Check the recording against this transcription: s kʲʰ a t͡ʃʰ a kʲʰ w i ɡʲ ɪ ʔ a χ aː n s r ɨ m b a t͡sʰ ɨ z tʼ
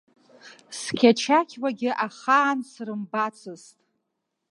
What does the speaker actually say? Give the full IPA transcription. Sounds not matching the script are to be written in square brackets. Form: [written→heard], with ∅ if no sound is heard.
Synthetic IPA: s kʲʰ a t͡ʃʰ a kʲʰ w [i→a] ɡʲ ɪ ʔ a χ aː n s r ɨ m b a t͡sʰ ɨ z tʼ